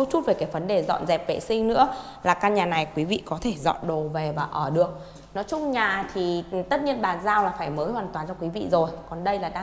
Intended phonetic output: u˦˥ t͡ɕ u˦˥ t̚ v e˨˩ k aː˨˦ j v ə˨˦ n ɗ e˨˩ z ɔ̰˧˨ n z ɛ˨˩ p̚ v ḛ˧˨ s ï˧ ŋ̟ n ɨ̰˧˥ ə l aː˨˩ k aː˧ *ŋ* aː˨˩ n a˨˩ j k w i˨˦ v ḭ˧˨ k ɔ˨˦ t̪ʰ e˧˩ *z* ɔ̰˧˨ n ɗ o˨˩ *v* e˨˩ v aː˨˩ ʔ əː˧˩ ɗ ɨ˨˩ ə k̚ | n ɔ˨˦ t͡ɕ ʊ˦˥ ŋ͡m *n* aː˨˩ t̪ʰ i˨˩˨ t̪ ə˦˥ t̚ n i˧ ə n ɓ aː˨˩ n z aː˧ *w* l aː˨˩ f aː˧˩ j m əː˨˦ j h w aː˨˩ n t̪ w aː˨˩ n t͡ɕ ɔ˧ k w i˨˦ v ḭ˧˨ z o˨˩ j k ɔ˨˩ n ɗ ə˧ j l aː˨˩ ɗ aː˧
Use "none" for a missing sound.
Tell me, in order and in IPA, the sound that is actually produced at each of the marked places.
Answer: ɲ, z, v, ɲ, w

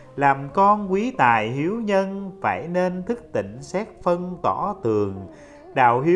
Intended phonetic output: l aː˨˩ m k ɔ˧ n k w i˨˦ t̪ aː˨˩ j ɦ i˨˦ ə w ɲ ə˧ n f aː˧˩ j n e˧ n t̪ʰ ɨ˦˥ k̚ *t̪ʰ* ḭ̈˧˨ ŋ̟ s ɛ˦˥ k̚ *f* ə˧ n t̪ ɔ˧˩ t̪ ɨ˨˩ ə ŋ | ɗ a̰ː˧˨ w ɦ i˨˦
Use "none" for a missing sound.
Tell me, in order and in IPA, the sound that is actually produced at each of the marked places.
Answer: t̪, f

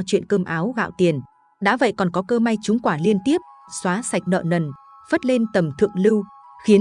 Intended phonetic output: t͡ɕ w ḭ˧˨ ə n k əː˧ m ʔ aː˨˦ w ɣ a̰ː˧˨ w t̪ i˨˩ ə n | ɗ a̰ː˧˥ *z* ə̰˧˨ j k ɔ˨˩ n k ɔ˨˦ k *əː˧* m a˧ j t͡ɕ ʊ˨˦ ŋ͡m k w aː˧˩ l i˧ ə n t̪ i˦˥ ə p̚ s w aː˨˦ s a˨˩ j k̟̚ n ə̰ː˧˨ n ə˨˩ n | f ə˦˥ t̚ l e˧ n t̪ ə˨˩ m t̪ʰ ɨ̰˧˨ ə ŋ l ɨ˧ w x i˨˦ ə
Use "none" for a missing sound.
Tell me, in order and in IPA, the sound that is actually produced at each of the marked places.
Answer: v, əː˧

